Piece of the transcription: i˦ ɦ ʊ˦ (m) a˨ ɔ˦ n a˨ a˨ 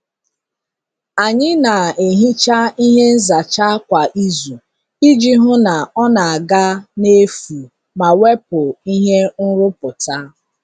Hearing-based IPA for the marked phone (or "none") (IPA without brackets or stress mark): n